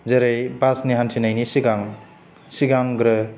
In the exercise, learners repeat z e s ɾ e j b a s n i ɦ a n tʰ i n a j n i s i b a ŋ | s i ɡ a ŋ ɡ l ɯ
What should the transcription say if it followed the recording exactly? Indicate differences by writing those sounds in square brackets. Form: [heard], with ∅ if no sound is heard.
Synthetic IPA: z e [∅] ɾ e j b a s n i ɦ a n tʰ i n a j n i s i [ɡ] a ŋ | s i ɡ a ŋ ɡ [ɾ] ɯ